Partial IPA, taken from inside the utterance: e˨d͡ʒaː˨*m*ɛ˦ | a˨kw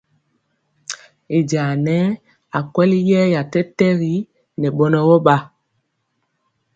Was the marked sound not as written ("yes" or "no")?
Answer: yes